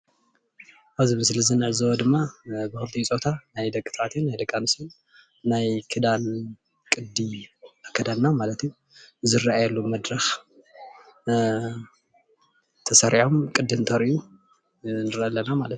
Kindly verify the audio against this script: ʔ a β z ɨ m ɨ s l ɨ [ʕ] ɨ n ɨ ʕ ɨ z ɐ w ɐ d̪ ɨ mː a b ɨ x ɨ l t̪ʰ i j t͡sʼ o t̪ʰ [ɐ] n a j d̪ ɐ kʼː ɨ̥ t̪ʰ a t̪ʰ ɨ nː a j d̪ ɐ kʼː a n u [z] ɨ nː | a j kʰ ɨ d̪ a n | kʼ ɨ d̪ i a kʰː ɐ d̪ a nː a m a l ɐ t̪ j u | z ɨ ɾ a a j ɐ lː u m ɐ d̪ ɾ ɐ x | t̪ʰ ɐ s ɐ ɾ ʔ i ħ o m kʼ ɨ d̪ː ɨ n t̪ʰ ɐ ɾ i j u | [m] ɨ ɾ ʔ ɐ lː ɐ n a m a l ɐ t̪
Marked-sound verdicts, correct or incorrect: incorrect, incorrect, incorrect, incorrect

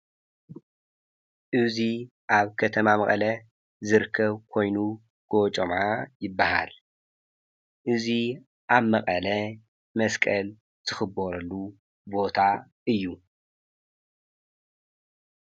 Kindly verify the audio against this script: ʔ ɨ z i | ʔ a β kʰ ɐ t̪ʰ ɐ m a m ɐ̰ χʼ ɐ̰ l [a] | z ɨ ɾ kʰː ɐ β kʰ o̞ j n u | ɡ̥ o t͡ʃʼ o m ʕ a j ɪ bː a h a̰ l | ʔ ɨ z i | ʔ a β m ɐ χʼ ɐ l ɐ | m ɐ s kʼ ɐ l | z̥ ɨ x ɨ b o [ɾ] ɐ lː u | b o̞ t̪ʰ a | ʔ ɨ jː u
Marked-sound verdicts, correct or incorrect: incorrect, correct

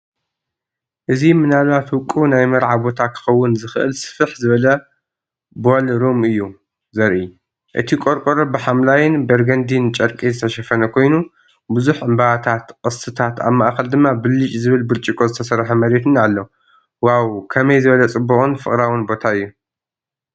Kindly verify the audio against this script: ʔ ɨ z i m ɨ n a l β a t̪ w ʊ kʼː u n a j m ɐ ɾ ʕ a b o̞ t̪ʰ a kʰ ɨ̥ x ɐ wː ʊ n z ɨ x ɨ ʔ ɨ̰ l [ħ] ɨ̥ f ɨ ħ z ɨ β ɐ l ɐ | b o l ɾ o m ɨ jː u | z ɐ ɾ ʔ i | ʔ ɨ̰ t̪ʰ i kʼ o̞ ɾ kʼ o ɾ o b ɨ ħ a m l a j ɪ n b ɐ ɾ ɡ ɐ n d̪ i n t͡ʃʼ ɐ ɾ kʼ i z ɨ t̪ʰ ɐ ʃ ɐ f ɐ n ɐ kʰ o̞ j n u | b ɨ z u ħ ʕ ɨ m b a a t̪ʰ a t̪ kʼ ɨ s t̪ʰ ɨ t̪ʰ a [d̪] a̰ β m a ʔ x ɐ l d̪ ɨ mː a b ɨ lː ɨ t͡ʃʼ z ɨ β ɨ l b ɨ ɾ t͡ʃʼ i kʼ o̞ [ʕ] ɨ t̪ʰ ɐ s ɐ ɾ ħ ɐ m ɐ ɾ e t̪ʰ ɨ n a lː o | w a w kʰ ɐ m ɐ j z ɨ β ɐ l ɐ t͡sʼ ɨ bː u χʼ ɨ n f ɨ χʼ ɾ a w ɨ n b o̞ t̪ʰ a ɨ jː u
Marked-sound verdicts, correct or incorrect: incorrect, incorrect, incorrect

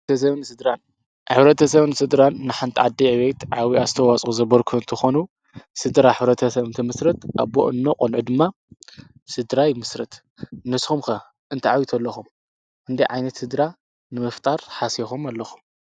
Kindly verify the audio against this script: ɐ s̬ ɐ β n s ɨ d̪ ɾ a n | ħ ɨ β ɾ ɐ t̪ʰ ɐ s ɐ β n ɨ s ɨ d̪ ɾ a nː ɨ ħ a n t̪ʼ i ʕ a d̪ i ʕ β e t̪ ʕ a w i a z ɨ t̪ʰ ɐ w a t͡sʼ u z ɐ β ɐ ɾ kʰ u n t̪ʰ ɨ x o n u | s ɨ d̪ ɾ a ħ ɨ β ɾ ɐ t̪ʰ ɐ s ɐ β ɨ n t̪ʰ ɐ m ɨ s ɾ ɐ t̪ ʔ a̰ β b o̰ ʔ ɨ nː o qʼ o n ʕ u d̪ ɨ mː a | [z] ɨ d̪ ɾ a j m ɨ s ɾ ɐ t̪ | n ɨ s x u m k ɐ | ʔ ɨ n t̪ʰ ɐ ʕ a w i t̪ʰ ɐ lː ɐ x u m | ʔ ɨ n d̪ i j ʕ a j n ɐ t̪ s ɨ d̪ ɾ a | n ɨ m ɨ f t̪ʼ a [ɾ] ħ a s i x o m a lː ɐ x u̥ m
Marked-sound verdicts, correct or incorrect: incorrect, correct

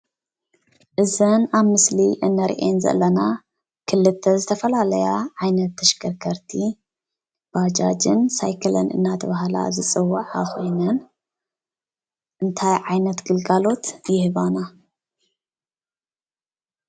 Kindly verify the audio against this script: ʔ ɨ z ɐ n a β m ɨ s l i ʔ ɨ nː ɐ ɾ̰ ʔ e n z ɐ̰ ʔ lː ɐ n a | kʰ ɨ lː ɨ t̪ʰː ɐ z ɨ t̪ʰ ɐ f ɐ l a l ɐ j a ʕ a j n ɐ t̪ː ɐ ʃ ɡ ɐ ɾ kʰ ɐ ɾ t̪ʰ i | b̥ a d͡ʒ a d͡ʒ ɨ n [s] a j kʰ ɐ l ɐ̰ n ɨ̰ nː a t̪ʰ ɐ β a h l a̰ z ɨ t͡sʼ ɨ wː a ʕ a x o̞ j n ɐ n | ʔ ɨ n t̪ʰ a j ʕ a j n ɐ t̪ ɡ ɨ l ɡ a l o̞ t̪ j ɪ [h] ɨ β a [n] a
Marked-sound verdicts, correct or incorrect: correct, correct, correct

